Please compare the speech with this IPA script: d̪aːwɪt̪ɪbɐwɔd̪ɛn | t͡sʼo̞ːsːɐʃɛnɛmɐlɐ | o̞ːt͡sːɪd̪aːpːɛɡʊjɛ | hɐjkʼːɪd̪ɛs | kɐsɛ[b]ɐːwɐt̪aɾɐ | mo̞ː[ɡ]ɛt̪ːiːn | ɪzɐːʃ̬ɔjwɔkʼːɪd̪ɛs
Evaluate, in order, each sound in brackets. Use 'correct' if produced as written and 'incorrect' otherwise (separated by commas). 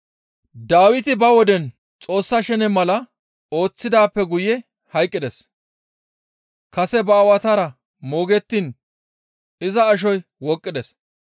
correct, correct